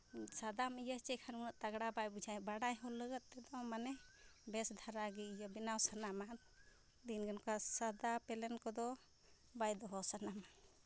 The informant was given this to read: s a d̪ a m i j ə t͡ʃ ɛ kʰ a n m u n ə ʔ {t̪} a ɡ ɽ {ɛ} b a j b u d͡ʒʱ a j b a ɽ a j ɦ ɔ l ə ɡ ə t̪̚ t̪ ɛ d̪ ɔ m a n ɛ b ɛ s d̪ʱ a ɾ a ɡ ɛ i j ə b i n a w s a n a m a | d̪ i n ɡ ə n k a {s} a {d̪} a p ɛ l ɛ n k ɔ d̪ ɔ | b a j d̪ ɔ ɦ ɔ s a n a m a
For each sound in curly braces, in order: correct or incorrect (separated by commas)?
correct, incorrect, correct, correct